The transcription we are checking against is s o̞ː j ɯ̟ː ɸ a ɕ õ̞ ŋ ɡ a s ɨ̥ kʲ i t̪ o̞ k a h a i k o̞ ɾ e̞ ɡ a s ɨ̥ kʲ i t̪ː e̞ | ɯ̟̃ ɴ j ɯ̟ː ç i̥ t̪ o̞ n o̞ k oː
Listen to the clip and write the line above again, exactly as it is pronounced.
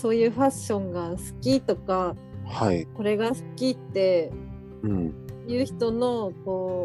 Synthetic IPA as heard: s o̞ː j ɯ̟ː ɸ a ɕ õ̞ ŋ ɡ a s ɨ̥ kʲ i t̪ o̞ k a h a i k o̞ ɾ e̞ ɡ a s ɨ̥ kʲ i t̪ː e̞ | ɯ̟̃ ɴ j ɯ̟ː ç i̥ t̪ o̞ n o̞ k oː